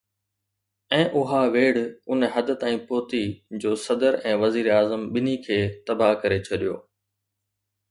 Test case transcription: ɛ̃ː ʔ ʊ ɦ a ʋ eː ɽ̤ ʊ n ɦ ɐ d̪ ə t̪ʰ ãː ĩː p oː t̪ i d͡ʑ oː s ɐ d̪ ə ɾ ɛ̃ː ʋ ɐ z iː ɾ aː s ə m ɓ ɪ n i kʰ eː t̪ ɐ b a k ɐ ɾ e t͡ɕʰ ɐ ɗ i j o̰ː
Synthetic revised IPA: ɛ̃ː ʔ ʊ ɦ a ʋ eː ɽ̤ ʊ n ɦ ɐ d̪ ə t̪ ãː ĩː p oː t̪ i d͡ʑ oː s ɐ d̪ ə ɾ ɛ̃ː ʋ ɐ z iː ɾ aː z ə m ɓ ɪ n i kʰ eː t̪ ɐ b a k ɐ ɾ e t͡ɕʰ ɐ ɗ i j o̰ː